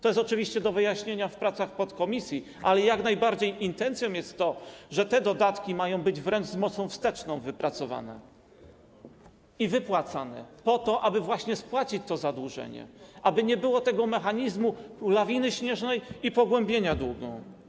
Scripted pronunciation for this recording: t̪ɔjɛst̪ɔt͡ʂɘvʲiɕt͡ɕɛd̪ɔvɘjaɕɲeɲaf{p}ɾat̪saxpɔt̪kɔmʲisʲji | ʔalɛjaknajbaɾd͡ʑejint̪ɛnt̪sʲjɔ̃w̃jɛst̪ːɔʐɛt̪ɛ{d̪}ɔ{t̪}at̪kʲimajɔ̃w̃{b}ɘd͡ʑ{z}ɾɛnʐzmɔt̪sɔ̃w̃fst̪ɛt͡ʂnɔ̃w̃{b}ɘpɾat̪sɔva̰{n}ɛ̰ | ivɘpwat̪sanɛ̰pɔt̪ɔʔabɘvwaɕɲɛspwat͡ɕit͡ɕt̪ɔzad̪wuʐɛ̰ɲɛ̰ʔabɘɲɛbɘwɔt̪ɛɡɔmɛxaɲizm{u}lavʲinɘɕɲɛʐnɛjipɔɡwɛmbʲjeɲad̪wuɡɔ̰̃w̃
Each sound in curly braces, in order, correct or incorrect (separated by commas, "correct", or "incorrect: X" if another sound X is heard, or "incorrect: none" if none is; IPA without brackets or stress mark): correct, correct, incorrect: d̪, correct, incorrect: v, incorrect: v, correct, correct